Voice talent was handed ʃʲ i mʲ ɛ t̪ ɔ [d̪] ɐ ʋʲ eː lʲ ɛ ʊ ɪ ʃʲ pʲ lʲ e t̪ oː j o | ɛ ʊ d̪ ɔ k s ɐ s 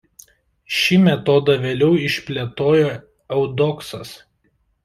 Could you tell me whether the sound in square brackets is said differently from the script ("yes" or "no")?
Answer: no